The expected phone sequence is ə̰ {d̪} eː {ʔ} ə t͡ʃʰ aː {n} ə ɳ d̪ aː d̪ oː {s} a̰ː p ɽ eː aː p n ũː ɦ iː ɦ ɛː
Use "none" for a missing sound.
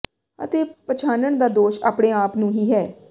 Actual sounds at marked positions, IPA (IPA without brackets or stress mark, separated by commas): t̪, p, n, ʃ